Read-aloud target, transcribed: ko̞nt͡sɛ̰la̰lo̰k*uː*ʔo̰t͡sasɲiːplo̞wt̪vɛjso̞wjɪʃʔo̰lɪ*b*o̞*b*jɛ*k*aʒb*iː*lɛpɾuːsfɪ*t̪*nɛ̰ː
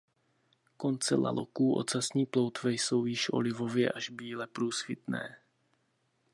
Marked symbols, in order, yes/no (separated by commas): yes, no, no, no, yes, yes